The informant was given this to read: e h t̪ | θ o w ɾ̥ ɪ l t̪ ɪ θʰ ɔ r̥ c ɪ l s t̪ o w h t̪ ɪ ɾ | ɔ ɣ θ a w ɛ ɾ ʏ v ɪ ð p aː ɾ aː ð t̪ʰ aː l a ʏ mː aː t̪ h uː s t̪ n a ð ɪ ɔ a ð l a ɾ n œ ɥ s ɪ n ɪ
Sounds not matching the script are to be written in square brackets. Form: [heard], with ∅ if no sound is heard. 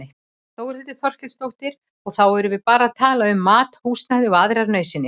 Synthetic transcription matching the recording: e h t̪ | θ o w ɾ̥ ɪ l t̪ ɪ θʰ ɔ r̥ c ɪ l s t̪ o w h t̪ ɪ ɾ | ɔ ɣ θ a w ɛ ɾ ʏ v ɪ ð p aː ɾ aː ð t̪ʰ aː l a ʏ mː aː t̪ h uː s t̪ n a ð ɪ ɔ a ð [ɾ] a ɾ n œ ɥ s ɪ n ɪ